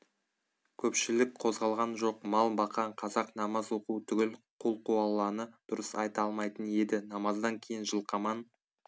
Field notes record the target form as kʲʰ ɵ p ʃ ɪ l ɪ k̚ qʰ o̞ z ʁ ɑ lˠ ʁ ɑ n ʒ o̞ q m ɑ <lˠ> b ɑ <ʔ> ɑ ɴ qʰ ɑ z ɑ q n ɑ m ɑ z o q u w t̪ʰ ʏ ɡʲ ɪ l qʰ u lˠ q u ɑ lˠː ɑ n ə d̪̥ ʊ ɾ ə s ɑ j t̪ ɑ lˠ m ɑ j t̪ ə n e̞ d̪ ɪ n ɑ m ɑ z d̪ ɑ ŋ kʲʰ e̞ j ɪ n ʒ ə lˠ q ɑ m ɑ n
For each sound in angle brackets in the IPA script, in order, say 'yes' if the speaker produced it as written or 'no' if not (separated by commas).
yes, no